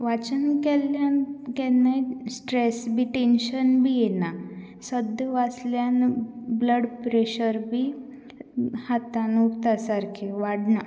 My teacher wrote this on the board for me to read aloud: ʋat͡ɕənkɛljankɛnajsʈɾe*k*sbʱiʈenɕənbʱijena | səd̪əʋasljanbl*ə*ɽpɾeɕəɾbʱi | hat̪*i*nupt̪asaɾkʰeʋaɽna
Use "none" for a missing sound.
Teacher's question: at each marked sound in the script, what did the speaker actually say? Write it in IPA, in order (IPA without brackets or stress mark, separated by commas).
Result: none, ə, a